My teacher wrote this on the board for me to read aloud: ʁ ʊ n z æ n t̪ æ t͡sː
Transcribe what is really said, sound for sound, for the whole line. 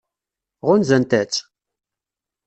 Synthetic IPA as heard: ʁ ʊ n z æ n t̪ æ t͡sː